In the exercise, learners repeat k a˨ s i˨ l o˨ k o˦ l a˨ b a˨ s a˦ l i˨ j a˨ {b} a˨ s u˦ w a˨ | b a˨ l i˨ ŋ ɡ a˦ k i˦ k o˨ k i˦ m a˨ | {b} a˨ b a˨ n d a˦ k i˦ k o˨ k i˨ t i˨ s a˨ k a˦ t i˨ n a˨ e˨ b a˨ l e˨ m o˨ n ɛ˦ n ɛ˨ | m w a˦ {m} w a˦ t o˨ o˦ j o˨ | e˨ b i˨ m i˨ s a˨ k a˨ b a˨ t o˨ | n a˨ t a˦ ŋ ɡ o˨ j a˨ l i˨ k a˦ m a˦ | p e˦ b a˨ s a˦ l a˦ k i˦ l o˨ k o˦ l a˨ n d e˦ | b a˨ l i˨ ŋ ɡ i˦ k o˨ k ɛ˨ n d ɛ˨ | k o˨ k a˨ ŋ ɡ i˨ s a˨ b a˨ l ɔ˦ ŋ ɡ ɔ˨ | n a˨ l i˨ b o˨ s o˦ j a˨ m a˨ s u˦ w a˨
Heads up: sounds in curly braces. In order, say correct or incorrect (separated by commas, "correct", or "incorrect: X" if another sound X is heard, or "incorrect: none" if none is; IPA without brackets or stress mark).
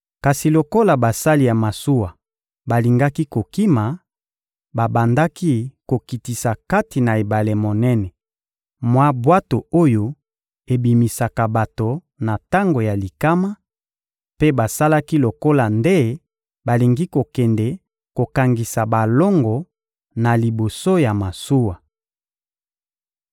incorrect: m, correct, incorrect: b